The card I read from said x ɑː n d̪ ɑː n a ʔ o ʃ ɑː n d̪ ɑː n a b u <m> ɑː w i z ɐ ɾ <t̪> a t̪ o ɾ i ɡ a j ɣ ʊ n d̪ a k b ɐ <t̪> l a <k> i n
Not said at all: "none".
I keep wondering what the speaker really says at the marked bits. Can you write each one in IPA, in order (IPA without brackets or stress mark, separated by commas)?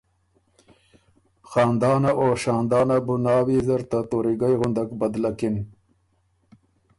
n, t̪, d̪, k